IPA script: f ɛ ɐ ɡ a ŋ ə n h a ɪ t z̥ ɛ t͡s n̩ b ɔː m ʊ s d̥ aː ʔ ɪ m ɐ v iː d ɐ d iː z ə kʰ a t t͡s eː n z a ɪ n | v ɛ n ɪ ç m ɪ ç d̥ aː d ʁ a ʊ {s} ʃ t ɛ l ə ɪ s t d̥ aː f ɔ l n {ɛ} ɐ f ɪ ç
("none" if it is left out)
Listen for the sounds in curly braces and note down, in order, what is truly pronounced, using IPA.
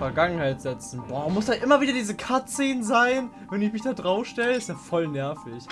f, ɛ

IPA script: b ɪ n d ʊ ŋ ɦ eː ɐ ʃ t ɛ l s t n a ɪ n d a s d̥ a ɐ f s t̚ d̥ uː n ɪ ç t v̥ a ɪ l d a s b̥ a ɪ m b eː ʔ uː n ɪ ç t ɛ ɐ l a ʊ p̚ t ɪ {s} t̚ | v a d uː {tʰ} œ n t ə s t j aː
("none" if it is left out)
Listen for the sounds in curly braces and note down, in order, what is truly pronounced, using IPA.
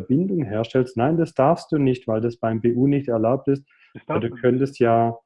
s, kʰ

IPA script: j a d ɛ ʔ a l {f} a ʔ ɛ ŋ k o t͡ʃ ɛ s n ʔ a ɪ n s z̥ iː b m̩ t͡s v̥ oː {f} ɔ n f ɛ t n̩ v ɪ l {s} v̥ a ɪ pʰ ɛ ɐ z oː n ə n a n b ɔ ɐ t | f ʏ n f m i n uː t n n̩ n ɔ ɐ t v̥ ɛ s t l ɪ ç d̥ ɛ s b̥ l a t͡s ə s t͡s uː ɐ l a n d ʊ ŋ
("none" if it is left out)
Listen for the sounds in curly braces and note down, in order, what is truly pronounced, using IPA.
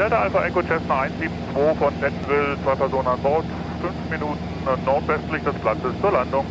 f, f, t͡s

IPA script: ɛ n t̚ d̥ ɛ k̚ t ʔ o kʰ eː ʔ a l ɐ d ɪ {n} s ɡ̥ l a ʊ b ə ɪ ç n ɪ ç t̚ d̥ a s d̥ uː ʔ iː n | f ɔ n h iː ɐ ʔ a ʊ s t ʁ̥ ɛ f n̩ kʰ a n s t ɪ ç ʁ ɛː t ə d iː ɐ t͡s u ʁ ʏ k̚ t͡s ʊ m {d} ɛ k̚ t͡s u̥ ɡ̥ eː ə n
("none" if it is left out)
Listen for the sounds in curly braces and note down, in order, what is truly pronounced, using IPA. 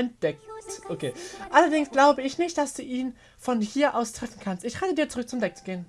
ŋ, d

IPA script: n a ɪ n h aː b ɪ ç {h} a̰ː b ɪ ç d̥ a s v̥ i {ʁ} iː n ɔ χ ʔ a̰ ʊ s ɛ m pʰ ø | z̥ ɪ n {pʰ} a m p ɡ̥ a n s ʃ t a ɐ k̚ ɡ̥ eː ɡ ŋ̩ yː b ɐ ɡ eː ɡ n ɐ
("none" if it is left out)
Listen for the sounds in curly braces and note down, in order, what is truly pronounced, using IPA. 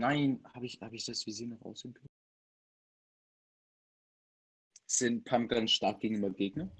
h, z, pʰ

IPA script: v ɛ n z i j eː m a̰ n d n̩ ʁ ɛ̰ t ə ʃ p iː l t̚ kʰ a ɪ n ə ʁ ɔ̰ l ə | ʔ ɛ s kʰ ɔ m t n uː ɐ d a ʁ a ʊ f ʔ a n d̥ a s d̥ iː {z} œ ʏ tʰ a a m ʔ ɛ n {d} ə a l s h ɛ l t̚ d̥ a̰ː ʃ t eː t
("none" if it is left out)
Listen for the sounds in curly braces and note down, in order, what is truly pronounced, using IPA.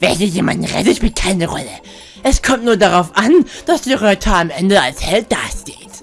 ʁ, d

